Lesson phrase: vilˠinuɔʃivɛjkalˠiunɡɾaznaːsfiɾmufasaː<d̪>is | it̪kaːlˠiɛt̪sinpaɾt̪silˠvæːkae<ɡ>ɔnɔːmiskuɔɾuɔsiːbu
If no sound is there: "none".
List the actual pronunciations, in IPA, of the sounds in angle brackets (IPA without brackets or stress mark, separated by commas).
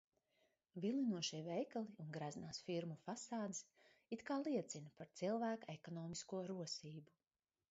d̪, k